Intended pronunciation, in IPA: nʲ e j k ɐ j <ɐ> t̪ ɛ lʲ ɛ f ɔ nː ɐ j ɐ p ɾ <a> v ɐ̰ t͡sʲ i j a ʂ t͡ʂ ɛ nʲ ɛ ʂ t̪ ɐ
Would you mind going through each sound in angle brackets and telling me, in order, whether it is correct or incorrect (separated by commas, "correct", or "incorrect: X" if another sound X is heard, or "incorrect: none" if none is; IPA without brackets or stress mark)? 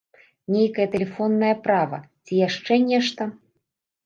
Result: correct, correct